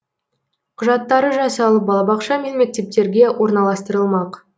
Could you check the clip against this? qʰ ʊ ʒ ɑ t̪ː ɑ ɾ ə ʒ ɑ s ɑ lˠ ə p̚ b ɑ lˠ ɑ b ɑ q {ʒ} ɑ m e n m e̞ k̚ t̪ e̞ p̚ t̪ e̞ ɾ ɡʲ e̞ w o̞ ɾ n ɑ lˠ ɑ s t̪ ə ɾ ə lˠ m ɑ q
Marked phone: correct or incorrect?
incorrect